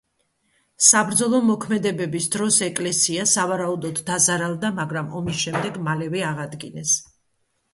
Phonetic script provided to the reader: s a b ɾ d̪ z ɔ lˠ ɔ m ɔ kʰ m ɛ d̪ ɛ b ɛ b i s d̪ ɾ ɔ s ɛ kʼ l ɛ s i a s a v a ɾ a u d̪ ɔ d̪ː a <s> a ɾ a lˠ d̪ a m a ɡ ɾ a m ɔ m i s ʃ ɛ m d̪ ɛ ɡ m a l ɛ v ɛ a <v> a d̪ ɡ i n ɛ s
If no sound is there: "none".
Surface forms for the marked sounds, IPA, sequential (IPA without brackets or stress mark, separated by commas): z, ʁ